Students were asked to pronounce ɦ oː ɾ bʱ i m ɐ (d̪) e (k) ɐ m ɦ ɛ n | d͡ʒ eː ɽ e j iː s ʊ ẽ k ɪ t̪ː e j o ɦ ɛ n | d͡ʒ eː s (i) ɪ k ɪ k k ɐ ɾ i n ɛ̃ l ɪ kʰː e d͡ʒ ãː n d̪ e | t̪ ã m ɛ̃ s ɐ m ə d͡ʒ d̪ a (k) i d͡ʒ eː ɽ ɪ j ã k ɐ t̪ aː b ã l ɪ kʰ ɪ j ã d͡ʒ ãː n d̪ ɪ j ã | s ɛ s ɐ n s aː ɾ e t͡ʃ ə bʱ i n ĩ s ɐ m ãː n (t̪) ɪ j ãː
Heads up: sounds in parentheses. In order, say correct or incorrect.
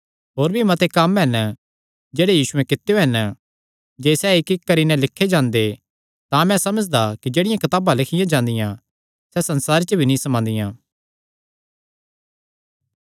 incorrect: t̪, correct, incorrect: ɛ, correct, incorrect: d̪

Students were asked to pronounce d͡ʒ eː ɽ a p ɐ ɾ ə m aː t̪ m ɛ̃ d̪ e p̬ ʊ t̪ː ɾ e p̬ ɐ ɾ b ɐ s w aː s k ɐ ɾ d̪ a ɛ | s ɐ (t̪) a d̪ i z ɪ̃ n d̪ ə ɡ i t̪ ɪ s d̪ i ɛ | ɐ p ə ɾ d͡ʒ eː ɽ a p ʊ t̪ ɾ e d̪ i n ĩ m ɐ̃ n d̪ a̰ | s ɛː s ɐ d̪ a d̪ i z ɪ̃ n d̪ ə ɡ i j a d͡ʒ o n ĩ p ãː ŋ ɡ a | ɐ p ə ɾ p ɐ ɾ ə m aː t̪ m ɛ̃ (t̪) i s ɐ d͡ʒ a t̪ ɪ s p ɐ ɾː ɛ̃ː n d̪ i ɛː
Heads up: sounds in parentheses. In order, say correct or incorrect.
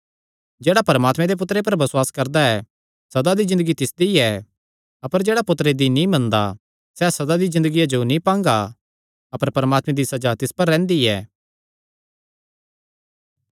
incorrect: d̪, incorrect: d̪

